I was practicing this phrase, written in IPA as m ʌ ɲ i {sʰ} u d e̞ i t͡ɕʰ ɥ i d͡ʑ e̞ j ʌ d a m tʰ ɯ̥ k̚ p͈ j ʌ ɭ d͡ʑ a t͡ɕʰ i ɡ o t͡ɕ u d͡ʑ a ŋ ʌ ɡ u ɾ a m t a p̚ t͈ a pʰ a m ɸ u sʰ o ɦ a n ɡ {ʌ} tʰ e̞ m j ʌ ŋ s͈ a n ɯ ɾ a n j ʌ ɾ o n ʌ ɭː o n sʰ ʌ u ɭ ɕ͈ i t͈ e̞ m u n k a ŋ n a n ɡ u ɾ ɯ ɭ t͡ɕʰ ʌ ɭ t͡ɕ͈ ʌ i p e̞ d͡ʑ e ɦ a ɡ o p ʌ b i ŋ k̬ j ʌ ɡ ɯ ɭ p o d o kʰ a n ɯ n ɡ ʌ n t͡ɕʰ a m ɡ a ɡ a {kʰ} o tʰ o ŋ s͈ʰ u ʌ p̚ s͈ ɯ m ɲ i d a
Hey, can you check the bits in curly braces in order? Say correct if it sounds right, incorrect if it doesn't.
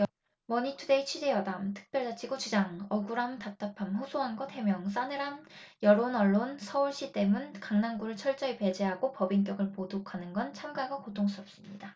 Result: incorrect: tʰ, correct, incorrect: k

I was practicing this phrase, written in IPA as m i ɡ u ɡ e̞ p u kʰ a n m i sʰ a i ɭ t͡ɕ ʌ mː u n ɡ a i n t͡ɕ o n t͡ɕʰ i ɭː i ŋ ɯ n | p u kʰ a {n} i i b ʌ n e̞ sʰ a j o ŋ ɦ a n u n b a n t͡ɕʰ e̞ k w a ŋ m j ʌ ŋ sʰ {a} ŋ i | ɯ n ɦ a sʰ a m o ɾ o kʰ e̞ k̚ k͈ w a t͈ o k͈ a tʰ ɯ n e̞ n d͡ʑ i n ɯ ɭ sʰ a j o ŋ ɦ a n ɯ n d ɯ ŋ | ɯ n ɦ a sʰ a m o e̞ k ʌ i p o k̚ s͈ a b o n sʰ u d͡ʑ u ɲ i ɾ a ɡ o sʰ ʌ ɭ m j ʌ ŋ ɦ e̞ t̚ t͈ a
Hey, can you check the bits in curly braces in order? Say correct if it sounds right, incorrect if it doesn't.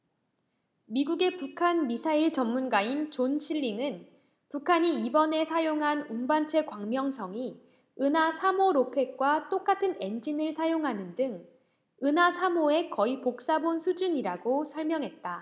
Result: incorrect: ɲ, incorrect: ʌ

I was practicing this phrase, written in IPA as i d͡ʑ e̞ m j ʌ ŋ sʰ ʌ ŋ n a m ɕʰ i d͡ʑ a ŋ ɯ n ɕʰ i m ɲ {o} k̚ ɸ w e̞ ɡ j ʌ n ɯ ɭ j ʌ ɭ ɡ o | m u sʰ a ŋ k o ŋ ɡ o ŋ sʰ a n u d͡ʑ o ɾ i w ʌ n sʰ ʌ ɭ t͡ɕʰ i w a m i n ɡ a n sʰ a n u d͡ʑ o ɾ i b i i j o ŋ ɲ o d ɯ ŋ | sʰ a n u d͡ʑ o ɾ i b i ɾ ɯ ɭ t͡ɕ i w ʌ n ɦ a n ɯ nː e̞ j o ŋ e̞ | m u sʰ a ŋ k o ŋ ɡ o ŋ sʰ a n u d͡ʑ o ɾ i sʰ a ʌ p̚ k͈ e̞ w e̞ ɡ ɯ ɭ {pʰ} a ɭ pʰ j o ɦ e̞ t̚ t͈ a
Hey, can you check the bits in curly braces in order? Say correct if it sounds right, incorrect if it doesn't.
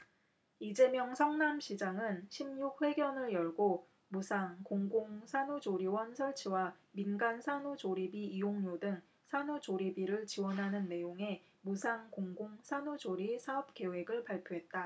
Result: incorrect: u, incorrect: p

